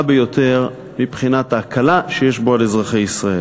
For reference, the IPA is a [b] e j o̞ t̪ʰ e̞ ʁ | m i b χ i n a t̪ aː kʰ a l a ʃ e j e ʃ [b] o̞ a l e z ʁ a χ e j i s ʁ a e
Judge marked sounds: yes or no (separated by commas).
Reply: yes, yes